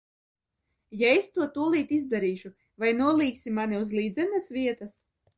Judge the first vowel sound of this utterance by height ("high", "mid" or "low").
low